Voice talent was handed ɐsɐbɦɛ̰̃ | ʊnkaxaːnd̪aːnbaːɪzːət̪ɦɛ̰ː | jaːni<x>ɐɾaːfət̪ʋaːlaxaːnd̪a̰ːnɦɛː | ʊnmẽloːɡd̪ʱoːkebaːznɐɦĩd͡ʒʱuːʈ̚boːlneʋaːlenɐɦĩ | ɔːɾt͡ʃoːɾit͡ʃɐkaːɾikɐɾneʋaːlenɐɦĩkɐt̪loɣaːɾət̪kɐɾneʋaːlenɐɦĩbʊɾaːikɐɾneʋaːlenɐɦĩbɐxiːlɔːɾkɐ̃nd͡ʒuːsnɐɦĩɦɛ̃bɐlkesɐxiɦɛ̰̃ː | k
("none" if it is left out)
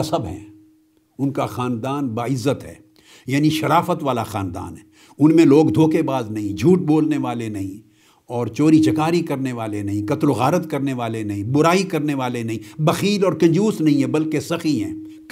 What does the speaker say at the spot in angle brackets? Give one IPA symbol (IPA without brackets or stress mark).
ʃ